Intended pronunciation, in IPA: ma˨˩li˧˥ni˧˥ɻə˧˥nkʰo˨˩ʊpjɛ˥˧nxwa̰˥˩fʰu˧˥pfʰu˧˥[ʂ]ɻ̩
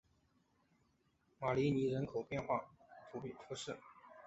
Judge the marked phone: correct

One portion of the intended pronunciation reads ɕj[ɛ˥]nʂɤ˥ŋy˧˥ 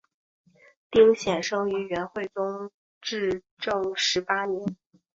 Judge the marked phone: incorrect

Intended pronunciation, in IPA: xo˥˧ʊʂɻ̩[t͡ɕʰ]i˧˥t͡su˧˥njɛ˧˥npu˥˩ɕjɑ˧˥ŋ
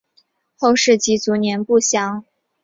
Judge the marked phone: incorrect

